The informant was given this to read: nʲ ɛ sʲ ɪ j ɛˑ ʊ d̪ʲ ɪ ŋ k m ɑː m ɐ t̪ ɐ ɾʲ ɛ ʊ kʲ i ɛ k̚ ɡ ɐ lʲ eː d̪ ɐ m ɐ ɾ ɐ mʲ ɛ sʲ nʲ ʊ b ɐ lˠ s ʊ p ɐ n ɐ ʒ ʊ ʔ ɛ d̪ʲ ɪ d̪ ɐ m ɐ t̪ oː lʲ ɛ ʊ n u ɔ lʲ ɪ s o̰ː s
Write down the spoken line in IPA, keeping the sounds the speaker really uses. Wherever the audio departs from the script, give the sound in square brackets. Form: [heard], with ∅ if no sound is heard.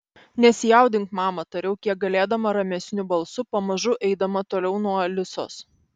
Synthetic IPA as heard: nʲ ɛ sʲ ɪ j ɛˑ ʊ d̪ʲ ɪ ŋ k m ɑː m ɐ t̪ ɐ ɾʲ ɛ ʊ kʲ i ɛ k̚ ɡ ɐ lʲ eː d̪ ɐ m ɐ ɾ ɐ mʲ ɛ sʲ nʲ ʊ b ɐ lˠ s ʊ p ɐ [m] ɐ ʒ ʊ ʔ ɛ [∅] ɪ d̪ ɐ m ɐ t̪ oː lʲ ɛ ʊ n u ɔ lʲ ɪ s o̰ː s